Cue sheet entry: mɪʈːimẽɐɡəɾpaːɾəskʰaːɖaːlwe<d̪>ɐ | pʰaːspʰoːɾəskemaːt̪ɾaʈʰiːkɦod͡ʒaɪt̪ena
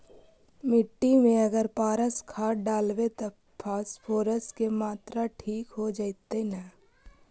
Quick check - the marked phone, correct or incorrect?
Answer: incorrect